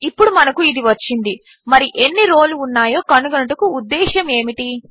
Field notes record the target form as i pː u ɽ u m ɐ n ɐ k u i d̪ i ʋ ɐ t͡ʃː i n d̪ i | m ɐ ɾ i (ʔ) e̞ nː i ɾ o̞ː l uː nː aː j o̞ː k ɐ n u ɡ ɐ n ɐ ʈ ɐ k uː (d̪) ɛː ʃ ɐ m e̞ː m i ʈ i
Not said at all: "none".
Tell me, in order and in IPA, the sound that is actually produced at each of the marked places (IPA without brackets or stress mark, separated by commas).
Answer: ʔ, d̪ː